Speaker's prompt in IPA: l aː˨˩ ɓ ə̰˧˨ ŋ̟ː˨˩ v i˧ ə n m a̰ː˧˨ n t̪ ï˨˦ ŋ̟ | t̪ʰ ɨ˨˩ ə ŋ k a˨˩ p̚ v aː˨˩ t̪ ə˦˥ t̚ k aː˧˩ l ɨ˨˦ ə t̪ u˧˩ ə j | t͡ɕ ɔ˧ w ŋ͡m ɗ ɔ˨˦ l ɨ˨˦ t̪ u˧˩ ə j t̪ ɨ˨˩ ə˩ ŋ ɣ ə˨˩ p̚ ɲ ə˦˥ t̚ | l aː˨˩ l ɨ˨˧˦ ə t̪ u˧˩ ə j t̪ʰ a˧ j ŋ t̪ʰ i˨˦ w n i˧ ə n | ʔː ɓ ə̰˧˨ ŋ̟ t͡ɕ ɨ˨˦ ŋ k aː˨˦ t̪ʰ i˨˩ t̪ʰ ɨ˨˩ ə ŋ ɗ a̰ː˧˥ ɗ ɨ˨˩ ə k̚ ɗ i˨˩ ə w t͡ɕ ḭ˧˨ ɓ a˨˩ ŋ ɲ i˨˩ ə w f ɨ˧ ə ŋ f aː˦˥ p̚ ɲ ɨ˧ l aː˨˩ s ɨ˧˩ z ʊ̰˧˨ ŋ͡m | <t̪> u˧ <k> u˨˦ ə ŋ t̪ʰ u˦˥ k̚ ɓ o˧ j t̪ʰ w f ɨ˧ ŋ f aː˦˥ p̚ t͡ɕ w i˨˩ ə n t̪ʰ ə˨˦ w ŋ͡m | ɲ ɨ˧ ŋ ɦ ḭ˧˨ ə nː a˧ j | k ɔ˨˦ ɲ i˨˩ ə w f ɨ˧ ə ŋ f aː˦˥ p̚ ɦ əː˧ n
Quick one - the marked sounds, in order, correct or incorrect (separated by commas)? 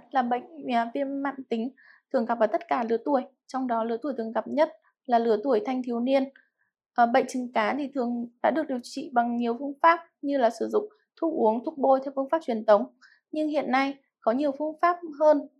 incorrect, incorrect